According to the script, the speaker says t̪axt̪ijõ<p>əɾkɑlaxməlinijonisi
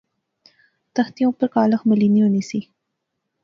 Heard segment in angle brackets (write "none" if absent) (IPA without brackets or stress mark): p